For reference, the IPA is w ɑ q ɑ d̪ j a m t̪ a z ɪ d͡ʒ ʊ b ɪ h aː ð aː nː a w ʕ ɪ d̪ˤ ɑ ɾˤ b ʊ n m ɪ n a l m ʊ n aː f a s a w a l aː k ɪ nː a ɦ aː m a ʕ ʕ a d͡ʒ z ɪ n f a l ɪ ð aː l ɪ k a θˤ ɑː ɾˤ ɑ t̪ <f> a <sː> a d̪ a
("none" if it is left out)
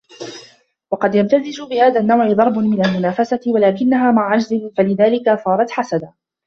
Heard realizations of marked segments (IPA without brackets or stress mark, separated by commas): ħ, s